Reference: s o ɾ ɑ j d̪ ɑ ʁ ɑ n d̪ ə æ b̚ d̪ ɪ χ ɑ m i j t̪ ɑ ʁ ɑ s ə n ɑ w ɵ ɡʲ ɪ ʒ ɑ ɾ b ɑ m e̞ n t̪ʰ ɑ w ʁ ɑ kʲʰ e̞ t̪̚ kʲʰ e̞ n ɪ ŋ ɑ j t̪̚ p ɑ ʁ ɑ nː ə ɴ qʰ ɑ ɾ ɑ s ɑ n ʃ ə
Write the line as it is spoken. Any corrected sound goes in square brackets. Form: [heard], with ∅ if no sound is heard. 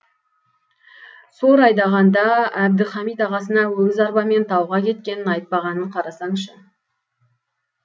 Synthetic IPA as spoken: s o ɾ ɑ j d̪ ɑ ʁ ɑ n d̪ [ɑ] æ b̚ d̪ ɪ χ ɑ m i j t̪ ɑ ʁ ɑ s ə n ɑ w ɵ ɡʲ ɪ [z] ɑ ɾ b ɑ m e̞ n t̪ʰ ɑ w ʁ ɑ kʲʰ e̞ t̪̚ [kʲ] e̞ n ɪ [n] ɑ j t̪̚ p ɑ ʁ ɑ [n] ə ɴ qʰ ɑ ɾ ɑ s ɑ [ɴ] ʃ ə